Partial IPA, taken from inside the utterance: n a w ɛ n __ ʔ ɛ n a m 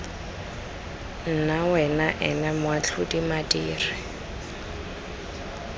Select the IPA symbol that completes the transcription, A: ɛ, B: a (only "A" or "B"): B